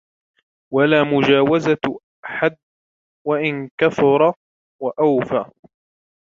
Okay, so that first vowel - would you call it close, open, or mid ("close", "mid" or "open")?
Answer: open